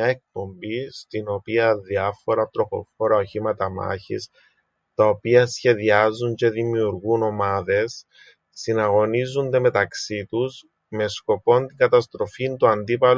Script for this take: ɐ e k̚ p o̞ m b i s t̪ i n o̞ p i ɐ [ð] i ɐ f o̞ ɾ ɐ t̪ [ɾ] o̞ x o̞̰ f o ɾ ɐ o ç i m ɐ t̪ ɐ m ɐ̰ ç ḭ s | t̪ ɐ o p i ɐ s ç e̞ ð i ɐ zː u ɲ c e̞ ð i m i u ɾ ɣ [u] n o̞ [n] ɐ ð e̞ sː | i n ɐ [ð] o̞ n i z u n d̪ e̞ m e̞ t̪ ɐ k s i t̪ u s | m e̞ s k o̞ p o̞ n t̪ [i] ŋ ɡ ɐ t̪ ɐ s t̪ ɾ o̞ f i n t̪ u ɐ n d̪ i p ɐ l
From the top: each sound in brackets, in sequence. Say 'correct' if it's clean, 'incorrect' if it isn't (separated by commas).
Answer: correct, correct, correct, incorrect, incorrect, correct